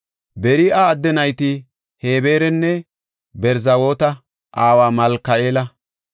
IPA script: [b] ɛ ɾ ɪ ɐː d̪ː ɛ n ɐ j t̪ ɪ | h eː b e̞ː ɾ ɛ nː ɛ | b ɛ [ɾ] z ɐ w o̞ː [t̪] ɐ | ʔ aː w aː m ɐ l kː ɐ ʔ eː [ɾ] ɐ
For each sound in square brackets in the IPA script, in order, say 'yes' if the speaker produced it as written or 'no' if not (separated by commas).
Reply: yes, yes, yes, no